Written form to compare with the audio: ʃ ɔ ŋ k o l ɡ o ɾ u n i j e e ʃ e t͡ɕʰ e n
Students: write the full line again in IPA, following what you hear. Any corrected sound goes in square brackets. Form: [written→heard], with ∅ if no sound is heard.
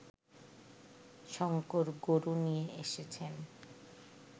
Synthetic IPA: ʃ ɔ ŋ k o [l→ɾ] ɡ o ɾ u n i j e e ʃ e t͡ɕʰ e n